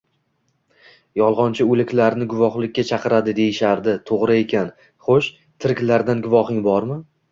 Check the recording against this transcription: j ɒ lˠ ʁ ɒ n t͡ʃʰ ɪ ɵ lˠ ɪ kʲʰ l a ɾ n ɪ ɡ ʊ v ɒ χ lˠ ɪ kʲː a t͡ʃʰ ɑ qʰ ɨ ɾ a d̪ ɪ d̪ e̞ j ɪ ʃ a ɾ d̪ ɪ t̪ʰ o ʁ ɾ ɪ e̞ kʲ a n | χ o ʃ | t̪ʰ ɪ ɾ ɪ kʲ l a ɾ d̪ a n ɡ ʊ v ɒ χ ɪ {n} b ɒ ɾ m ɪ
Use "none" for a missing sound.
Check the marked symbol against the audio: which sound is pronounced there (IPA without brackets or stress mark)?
ŋ